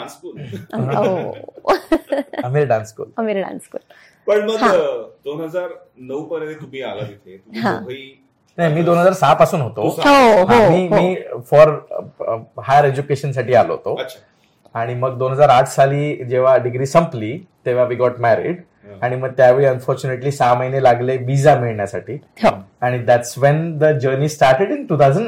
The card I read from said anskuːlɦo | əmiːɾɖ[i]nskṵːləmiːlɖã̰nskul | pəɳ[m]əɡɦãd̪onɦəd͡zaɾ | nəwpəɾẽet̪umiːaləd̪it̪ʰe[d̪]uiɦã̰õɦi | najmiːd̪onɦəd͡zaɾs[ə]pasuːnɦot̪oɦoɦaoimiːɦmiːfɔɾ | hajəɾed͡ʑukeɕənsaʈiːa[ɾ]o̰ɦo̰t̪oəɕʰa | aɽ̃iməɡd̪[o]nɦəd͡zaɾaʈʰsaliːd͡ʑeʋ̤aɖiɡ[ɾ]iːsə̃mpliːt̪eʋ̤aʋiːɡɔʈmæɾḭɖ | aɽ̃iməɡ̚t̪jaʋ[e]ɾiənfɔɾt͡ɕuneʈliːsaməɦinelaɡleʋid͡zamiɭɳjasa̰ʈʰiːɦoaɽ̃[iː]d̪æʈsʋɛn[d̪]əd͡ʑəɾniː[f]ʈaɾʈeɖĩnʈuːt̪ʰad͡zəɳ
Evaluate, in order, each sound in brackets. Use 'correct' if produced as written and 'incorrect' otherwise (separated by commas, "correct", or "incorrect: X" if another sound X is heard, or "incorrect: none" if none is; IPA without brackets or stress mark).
incorrect: a, correct, incorrect: t̪, incorrect: a, incorrect: l, correct, correct, correct, incorrect: i, correct, incorrect: s